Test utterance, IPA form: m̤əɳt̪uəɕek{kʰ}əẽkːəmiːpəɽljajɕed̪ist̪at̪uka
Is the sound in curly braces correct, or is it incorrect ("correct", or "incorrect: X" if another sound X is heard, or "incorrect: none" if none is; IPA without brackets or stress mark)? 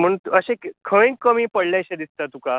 correct